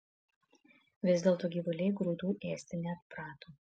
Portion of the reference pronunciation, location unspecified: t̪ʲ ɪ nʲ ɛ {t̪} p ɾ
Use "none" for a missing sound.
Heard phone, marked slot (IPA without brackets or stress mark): t̪